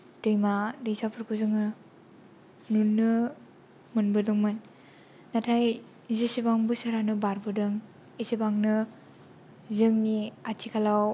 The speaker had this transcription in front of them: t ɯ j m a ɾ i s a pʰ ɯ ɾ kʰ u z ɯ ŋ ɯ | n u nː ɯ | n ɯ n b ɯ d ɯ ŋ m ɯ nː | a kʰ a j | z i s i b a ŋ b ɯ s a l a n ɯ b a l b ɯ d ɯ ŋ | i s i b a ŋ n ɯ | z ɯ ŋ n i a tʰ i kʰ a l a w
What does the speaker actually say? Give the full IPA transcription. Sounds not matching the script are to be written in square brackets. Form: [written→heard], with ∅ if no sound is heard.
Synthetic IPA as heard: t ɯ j m a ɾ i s a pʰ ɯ ɾ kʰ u z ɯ ŋ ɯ | n u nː ɯ | [n→m] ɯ n b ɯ d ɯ ŋ m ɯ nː | a [kʰ→tʰ] a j | z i s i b a ŋ b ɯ s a [l→ɾ] a n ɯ b a [l→ɾ] b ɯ d ɯ ŋ | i s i b a ŋ n ɯ | z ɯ ŋ n i a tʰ i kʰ a l a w